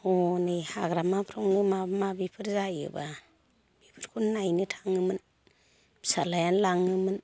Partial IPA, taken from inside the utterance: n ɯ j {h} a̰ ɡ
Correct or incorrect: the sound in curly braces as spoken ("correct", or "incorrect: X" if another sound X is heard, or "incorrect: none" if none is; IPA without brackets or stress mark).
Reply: correct